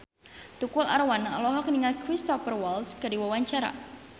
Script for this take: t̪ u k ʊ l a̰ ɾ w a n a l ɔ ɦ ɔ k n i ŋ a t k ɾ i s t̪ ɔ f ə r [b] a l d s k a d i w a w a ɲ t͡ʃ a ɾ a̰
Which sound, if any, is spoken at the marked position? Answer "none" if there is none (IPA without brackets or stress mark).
w